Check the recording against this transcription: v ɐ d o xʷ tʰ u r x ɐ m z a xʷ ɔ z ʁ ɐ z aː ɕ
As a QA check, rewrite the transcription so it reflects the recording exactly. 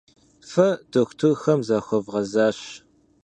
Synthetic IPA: f ɐ d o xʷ tʰ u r x ɐ m z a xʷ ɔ v ʁ ɐ z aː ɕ